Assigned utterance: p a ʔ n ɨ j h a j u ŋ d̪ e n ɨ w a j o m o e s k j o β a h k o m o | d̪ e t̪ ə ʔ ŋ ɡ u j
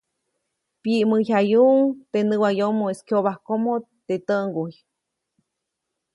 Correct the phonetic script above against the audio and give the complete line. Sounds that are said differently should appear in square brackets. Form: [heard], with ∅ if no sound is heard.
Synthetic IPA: p [i] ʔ [m] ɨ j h a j u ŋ [t̪] e n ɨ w a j o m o e s k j o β a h k o m o | [t̪] e t̪ ə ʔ ŋ ɡ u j